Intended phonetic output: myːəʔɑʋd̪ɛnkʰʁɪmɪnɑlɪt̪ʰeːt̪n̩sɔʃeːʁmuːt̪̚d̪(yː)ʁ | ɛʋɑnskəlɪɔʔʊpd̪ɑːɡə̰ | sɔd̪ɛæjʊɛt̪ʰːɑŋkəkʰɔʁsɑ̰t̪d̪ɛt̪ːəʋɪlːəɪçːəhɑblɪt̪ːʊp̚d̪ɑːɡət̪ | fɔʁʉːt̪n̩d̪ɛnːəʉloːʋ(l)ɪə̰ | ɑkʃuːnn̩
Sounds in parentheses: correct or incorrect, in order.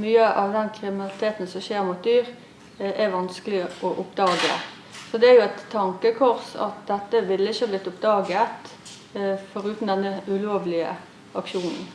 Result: correct, correct

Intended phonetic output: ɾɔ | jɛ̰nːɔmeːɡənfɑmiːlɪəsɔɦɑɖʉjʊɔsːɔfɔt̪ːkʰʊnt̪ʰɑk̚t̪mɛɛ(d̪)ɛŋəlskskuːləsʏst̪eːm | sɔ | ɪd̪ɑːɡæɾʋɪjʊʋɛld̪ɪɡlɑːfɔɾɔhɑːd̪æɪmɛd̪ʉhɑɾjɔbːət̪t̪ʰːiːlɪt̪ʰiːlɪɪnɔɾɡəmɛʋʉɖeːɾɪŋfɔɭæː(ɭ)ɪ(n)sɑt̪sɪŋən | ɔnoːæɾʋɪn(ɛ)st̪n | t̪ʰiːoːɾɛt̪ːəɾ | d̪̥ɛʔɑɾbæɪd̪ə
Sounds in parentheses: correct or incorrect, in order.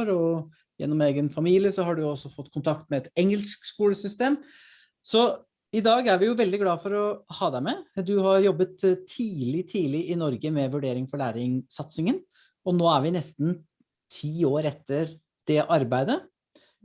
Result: incorrect, incorrect, incorrect, correct

